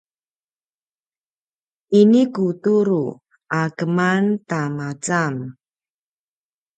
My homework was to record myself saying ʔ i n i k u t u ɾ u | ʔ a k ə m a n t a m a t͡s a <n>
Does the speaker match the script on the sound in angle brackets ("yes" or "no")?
no